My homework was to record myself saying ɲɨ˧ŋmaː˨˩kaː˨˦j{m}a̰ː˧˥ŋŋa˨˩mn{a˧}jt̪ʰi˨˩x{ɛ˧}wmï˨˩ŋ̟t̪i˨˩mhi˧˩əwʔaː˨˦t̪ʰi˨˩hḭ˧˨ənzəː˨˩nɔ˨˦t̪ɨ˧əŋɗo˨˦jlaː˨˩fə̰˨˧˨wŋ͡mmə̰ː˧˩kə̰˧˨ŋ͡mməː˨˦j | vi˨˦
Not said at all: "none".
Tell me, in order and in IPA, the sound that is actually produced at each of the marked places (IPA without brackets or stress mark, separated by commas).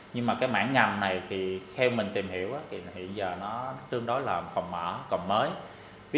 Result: m, a˨˩, ɛ˧